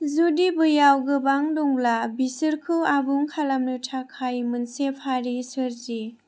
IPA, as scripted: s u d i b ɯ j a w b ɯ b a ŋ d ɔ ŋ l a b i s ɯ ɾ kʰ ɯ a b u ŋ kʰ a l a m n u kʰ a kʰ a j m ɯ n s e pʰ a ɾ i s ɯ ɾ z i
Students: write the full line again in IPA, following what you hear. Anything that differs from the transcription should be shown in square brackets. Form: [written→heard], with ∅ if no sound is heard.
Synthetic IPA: [s→z] u d i b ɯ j a w [b→ɡ] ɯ b a ŋ d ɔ ŋ l a b i s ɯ ɾ kʰ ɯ a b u ŋ kʰ a l a m n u [kʰ→tʰ] a kʰ a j m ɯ n s e pʰ a ɾ i s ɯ ɾ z i